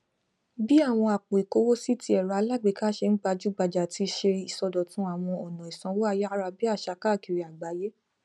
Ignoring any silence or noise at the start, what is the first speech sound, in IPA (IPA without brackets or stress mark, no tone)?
b